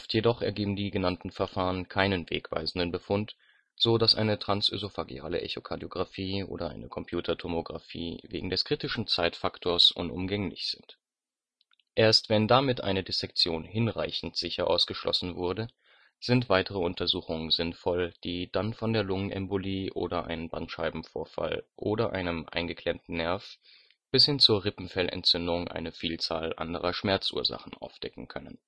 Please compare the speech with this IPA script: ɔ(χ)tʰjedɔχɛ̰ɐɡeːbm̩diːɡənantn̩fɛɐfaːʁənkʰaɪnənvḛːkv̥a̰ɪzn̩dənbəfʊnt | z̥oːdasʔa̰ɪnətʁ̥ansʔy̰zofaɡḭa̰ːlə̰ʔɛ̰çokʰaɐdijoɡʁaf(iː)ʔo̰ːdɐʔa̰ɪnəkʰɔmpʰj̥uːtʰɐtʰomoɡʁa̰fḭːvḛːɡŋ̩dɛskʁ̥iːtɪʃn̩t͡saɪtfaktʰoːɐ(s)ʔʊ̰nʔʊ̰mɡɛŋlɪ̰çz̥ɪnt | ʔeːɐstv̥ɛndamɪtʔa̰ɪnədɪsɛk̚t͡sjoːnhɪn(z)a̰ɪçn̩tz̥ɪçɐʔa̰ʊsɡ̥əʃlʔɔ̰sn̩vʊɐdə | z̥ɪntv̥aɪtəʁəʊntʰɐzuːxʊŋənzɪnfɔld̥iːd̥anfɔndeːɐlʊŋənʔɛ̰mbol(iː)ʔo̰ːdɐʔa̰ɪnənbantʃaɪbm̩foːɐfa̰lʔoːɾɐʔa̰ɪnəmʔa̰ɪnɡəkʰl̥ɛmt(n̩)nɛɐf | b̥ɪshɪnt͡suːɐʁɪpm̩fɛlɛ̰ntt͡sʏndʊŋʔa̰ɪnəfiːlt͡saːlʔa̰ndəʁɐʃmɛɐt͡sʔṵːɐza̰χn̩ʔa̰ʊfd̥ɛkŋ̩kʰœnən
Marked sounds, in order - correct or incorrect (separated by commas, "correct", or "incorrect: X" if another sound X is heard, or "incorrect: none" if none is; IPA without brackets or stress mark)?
incorrect: f, correct, correct, incorrect: ʁ, correct, correct